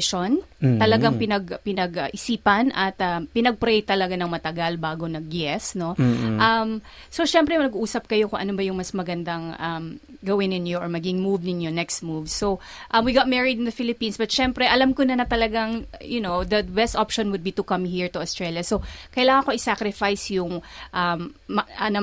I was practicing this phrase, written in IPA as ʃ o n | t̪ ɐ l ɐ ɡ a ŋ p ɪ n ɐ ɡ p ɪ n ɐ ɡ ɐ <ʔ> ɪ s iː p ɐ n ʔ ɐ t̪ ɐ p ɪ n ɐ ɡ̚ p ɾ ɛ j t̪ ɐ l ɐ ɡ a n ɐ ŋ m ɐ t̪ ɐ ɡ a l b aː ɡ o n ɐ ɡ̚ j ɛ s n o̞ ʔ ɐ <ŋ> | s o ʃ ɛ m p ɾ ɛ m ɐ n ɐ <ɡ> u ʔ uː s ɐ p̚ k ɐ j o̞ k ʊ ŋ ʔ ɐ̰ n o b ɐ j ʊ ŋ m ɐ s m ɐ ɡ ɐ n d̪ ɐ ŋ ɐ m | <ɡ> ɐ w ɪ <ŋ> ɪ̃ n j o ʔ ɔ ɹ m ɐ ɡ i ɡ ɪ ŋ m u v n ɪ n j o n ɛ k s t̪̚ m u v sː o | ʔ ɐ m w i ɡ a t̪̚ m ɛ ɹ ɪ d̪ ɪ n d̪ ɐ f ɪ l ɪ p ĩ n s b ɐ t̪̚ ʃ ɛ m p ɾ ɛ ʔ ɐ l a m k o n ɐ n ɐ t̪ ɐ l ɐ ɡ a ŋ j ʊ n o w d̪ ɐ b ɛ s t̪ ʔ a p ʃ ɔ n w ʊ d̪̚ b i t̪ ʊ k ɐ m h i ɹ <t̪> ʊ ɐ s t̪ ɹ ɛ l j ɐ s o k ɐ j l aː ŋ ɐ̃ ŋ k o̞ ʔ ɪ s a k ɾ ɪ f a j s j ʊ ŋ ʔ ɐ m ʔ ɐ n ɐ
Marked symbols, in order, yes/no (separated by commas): yes, no, yes, yes, no, yes